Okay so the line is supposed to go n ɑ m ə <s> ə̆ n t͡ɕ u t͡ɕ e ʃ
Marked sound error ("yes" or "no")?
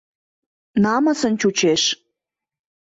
no